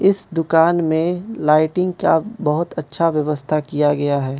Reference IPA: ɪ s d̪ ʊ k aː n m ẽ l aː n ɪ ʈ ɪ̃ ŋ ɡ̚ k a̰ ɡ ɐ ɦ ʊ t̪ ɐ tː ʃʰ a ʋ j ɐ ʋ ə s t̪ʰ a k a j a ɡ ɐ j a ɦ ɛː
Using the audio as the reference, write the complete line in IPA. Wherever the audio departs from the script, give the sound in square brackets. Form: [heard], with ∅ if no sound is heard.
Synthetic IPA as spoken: ɪ s d̪ ʊ k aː n m ẽ l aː [∅] ɪ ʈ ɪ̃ ŋ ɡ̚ k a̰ [b] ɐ ɦ ʊ t̪ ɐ tː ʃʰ a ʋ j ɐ ʋ ə s t̪ʰ a k [i] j a ɡ ɐ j a ɦ ɛː